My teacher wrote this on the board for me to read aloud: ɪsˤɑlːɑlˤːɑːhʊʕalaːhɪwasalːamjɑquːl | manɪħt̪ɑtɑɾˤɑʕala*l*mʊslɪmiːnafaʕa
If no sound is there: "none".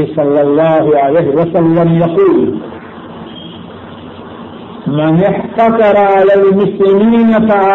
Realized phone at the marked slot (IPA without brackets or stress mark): l